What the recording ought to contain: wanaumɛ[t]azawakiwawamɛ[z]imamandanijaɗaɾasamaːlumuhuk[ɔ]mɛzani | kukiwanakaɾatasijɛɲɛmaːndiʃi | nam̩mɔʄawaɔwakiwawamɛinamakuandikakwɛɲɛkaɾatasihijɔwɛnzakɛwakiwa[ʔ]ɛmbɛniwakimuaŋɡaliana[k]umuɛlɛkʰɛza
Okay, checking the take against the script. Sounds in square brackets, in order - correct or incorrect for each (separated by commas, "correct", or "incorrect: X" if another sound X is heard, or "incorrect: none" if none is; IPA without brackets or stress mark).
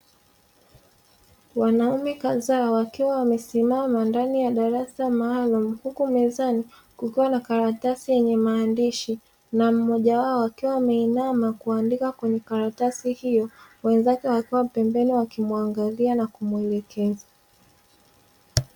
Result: incorrect: k, incorrect: s, incorrect: u, incorrect: p, correct